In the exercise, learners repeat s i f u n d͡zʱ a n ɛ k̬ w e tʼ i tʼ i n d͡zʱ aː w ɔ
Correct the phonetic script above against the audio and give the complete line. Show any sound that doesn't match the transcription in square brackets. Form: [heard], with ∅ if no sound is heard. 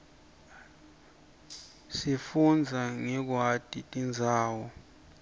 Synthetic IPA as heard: s i f u n d͡zʱ a [ŋ] ɛ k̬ w [a] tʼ i tʼ i n d͡zʱ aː w ɔ